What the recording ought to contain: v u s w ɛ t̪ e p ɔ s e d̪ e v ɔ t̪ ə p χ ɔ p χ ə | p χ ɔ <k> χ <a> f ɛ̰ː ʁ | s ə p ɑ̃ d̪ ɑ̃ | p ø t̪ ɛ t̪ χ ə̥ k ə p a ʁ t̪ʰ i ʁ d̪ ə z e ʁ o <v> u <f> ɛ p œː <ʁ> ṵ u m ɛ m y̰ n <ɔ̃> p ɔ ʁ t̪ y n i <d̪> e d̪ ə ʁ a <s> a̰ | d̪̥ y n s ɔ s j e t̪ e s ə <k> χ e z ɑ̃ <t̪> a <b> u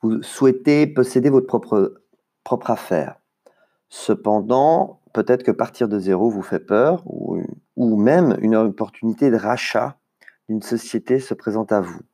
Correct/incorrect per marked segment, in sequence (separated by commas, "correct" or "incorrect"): incorrect, correct, correct, correct, correct, incorrect, incorrect, incorrect, incorrect, correct, incorrect